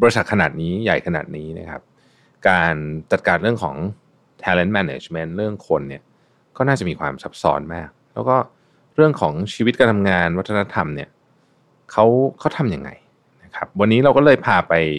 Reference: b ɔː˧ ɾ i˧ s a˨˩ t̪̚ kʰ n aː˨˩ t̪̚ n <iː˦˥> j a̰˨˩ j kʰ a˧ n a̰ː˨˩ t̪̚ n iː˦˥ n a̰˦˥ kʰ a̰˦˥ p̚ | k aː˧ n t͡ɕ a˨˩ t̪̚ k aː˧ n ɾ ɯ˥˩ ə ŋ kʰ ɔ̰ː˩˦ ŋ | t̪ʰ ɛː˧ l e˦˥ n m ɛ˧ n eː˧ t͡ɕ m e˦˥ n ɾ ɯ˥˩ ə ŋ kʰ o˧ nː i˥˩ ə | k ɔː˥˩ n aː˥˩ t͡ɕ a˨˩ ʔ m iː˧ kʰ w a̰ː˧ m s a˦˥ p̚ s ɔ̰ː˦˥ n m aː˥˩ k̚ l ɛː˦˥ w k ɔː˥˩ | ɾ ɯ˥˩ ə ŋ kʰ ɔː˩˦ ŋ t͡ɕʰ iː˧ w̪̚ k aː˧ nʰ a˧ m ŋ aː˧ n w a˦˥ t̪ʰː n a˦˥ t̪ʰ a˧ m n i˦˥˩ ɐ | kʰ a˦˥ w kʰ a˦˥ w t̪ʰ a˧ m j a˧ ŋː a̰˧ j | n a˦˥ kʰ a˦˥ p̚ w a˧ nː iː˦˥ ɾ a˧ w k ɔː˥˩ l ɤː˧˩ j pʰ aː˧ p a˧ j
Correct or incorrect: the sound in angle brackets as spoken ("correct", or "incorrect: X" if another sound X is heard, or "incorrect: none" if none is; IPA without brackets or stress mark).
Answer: correct